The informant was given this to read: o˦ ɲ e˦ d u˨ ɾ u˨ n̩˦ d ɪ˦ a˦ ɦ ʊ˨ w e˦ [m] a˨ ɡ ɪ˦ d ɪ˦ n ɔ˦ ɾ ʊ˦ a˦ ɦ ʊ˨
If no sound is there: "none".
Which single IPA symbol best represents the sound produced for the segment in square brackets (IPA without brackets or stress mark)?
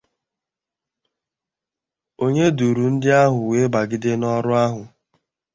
b